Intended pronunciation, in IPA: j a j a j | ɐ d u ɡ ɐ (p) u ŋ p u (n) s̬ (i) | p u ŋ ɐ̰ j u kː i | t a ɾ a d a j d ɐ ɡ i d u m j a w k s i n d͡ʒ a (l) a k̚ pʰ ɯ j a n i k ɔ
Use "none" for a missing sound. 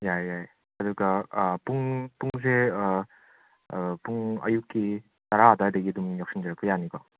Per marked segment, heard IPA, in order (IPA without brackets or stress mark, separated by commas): p, ŋ, e, ɾ